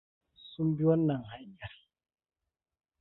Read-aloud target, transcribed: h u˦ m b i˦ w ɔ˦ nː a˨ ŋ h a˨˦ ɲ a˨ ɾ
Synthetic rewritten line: s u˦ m b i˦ w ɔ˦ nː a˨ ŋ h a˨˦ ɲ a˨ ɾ